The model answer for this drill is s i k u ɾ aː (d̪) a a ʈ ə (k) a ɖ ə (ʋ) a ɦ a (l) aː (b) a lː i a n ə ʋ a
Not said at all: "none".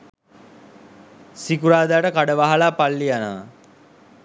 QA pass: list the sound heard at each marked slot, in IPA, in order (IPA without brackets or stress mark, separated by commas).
d̪, k, ʋ, l, p